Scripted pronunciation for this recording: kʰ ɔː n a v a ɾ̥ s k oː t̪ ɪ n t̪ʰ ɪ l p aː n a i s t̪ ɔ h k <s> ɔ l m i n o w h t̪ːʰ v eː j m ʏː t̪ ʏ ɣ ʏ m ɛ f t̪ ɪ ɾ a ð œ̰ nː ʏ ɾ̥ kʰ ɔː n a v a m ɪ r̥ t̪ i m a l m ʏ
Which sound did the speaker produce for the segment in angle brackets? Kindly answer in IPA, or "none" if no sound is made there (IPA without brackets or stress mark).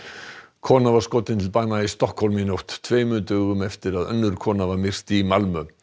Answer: h